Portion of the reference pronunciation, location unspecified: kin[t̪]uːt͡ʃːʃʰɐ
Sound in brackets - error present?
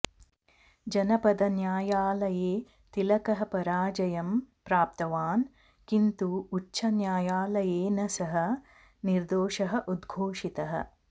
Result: no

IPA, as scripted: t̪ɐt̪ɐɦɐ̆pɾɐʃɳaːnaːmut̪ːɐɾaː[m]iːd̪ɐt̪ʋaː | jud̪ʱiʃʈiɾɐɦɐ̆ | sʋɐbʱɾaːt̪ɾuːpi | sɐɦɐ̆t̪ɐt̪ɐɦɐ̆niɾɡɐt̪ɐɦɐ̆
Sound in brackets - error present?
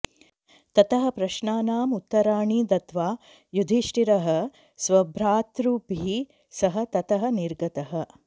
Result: yes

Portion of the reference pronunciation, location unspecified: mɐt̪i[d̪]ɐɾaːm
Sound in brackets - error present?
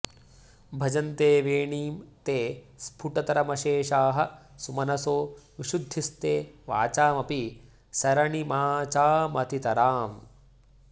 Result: yes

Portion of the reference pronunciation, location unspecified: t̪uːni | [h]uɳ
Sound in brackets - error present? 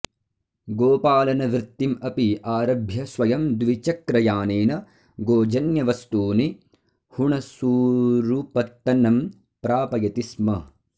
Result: no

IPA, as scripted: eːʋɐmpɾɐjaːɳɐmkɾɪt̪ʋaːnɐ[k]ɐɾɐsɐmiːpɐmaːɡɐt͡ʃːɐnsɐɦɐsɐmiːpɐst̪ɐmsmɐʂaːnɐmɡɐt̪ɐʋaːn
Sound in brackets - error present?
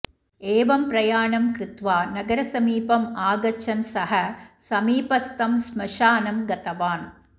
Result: yes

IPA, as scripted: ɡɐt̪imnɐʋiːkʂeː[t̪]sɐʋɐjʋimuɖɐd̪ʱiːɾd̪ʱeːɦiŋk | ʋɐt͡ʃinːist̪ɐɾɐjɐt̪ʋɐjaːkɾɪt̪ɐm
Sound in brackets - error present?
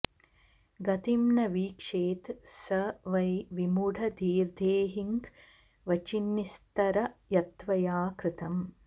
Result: no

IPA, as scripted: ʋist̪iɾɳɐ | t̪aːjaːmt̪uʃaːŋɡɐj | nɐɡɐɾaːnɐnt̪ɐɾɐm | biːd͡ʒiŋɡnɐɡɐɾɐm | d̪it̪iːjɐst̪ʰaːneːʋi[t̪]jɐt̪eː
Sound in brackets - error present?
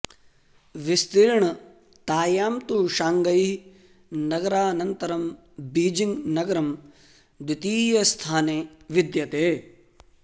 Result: yes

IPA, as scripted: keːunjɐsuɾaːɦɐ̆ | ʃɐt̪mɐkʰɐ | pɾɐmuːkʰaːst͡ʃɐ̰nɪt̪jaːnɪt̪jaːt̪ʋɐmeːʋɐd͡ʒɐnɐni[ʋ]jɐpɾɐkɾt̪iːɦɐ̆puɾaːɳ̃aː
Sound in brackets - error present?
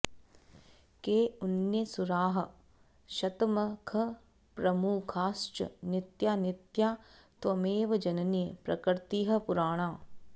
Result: yes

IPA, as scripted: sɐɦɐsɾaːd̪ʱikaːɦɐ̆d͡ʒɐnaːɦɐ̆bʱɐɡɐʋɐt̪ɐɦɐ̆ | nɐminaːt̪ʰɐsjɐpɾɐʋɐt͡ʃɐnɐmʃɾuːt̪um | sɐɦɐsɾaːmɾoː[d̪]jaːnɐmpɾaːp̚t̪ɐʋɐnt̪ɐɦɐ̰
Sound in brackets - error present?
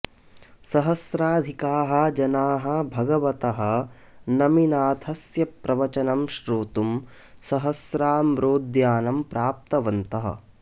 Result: no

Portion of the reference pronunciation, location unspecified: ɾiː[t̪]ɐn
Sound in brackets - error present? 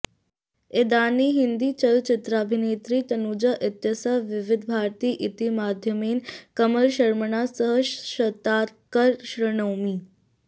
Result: no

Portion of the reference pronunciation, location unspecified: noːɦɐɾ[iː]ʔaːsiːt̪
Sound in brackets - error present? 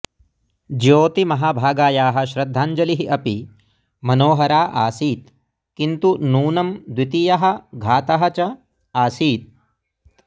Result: yes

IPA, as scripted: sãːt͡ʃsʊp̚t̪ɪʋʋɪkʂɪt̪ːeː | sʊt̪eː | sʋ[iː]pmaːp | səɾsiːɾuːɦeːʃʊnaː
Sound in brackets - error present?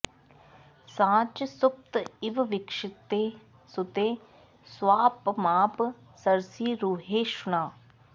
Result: yes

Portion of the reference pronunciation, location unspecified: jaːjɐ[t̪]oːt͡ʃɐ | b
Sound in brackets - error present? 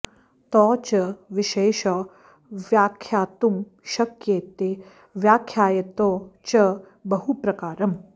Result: no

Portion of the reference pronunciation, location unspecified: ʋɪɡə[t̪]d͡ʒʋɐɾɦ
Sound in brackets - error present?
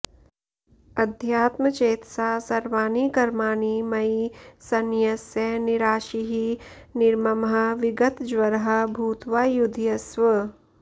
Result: no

